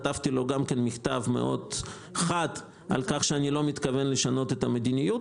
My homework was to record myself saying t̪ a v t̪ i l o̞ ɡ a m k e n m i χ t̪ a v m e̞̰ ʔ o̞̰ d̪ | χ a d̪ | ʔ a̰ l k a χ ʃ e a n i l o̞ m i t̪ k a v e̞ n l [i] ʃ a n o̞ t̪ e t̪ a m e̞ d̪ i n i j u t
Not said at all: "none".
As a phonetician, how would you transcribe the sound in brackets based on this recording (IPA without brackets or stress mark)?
e